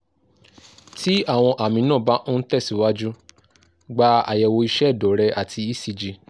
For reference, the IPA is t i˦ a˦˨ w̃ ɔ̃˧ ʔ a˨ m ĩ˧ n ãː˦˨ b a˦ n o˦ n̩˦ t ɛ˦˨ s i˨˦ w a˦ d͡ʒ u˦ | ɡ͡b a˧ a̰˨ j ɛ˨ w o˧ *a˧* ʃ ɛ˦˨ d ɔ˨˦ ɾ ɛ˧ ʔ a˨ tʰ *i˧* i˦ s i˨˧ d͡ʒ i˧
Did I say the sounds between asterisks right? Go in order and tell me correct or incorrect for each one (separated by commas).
incorrect, correct